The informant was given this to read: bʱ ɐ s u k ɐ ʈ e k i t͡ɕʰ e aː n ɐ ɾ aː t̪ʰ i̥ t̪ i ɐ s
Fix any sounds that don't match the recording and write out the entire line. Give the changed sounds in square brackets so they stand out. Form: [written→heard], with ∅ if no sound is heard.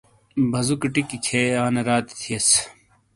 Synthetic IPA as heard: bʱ ɐ [s→z] u k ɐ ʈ [e→i] k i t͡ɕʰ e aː n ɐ ɾ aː [t̪ʰ→t̪] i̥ [t̪→t̪ʰ] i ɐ s

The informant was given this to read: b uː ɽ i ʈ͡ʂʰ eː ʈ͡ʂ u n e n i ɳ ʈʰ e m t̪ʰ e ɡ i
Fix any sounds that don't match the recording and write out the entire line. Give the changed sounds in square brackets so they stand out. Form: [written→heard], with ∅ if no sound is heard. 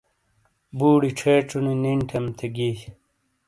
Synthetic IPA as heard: b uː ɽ i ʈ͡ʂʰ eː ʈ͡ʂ u n [e→i] n i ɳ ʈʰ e m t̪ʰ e ɡ i

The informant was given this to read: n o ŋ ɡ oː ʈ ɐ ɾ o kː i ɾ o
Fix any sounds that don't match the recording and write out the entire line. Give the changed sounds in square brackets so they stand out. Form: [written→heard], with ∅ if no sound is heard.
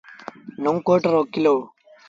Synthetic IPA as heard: n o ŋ [ɡ→k] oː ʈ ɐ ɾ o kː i [ɾ→l] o

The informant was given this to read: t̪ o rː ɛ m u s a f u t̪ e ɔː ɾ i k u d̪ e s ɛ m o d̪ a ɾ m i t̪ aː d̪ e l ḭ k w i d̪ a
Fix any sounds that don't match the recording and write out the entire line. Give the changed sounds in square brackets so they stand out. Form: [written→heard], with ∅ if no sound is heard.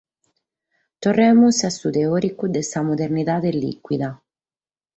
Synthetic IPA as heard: t̪ o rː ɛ m u s a [f→s] u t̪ e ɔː ɾ i k u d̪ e s [ɛ→a] m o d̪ [a→e] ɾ [m→n] i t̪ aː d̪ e l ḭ k w i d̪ a

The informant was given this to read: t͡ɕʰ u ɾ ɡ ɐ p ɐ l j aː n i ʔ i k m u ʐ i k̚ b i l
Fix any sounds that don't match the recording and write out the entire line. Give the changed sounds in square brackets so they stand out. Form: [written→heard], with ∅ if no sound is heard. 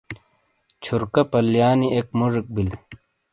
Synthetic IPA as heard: t͡ɕʰ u ɾ [ɡ→k] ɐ p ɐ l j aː n i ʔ [i→e] k m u ʐ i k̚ b i l

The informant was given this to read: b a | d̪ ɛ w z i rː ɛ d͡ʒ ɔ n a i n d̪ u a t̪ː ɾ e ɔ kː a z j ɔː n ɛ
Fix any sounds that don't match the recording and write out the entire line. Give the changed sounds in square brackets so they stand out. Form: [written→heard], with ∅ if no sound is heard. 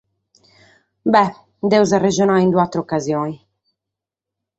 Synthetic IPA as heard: b [a→ɛ] | d̪ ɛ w z [i→a] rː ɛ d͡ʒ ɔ n a i n d̪ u a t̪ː ɾ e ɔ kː a z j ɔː n [ɛ→i]

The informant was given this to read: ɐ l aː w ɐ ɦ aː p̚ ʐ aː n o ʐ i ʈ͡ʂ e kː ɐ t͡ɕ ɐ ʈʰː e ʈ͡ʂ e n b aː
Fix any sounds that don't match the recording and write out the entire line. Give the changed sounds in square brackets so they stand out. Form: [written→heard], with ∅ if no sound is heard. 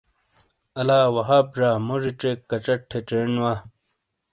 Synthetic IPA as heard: ɐ l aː w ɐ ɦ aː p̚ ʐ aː [n→m] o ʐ i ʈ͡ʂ e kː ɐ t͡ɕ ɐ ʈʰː e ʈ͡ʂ e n [b→w] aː

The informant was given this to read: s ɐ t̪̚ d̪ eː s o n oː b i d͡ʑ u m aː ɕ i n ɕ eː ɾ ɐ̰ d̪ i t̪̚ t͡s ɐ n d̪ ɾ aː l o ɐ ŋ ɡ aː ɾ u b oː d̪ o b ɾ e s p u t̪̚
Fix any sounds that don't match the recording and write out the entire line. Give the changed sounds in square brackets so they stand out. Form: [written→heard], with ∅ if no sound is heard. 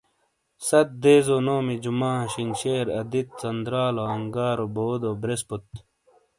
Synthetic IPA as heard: s ɐ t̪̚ d̪ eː [s→z] o n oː [b→m] i d͡ʑ u m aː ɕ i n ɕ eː ɾ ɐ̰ d̪ i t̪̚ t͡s ɐ n d̪ ɾ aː l o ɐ ŋ ɡ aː ɾ [u→o] b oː d̪ o b ɾ e s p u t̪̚

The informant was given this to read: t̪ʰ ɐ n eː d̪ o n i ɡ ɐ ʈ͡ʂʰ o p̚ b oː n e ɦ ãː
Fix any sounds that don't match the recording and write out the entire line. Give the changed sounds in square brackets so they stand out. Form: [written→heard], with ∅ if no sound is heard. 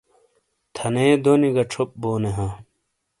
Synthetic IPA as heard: t̪ʰ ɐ n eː d̪ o n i ɡ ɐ ʈ͡ʂʰ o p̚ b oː n e ɦ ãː

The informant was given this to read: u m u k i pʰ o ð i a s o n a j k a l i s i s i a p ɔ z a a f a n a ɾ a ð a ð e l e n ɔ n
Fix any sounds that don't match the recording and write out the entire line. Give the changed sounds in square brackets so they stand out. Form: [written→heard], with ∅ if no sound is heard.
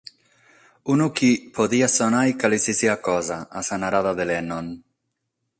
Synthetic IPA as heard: u [m→n] u k i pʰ o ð i a s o n a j k a l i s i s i a [p→k] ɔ z a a [f→s] a n a ɾ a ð a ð e l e n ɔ n

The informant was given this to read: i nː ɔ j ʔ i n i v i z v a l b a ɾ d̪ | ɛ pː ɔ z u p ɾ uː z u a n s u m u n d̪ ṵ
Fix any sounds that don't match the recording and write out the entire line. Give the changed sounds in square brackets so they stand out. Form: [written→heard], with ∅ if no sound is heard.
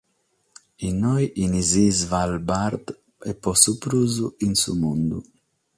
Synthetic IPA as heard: i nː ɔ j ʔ i n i [v→z] i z v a l b a ɾ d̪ | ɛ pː ɔ [z→s] u p ɾ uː z u [a→i] n s u m u n d̪ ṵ

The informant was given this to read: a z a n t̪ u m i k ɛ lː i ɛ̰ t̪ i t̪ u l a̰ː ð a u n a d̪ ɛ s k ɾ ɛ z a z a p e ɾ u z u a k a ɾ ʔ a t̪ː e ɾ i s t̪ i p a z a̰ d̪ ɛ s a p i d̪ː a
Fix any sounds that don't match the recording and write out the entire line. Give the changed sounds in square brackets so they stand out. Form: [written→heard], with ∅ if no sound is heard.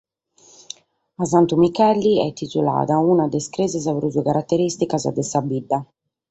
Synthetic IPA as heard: a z a n t̪ u m i k ɛ lː i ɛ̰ t̪ i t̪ u l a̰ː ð a u n a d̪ ɛ s k ɾ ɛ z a z a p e ɾ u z u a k a ɾ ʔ a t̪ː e ɾ i s t̪ i [p→k] a z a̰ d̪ ɛ s a [p→b] i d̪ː a

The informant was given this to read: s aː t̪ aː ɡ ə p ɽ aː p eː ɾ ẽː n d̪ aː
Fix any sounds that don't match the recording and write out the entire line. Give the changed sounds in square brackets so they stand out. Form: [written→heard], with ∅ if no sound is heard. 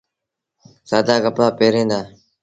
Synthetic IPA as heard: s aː [t̪→d̪] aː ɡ ə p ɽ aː p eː ɾ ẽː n d̪ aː

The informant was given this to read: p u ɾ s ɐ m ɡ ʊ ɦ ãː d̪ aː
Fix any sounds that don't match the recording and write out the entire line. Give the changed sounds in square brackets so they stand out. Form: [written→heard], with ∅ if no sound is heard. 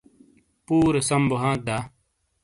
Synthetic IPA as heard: p [u→uː] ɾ s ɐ m [ɡ→b] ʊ ɦ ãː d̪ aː

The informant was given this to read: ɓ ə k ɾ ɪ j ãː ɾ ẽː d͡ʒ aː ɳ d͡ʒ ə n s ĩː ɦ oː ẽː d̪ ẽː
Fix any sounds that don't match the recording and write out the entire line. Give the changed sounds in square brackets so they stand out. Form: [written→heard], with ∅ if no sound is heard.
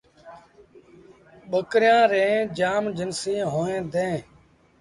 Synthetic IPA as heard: ɓ ə k ɾ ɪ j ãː ɾ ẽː d͡ʒ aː [ɳ→m] d͡ʒ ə n s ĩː ɦ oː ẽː d̪ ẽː

